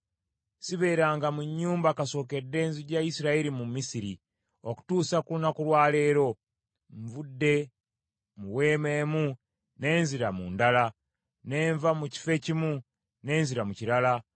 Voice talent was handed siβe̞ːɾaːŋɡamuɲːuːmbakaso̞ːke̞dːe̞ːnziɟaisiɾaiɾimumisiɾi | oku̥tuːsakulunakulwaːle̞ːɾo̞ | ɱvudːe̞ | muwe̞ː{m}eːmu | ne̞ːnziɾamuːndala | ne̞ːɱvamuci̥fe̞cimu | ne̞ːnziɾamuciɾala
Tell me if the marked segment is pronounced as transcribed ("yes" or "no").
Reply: yes